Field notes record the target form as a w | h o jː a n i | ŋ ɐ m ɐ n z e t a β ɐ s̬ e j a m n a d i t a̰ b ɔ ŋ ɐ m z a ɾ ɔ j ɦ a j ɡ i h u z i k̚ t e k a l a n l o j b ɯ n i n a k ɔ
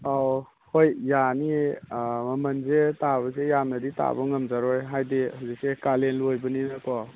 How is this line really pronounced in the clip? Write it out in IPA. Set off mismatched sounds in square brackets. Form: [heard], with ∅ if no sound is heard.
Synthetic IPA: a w | h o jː a n i | [m] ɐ m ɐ n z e t a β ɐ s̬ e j a m n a d i t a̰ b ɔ ŋ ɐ m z a ɾ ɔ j ɦ a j [d] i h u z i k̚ [s] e k a l [e] n l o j b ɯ n i n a k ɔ